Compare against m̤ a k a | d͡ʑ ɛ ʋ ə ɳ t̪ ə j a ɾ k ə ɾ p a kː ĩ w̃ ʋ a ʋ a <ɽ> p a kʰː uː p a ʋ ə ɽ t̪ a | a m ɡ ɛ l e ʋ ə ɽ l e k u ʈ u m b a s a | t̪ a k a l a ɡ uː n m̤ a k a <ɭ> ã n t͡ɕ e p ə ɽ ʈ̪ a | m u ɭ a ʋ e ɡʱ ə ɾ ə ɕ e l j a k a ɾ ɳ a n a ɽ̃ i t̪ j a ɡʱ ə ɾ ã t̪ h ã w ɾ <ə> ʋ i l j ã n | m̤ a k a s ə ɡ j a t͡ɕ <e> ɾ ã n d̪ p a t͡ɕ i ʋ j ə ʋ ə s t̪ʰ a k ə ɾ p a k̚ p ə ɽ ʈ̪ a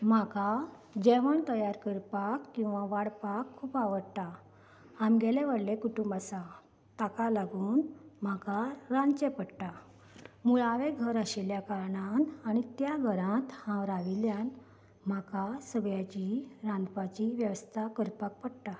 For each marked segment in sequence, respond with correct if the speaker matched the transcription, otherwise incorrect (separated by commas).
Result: correct, incorrect, incorrect, incorrect